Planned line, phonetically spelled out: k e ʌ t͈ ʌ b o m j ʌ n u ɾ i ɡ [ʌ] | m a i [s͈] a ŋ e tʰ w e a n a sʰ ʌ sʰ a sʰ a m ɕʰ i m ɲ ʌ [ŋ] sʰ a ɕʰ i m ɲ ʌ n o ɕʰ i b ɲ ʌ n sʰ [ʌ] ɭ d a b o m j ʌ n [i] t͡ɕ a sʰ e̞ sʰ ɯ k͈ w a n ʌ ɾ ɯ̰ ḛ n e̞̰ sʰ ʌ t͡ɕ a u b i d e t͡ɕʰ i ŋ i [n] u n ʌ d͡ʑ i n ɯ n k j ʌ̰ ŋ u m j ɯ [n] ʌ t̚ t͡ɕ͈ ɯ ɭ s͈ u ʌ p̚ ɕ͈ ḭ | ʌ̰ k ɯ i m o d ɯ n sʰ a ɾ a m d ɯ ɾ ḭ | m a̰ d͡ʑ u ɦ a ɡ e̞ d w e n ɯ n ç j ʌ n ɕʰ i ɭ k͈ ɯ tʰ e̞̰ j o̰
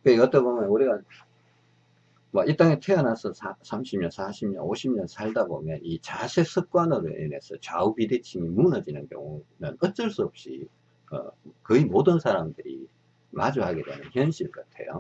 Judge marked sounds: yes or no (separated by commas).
no, no, no, no, yes, no, yes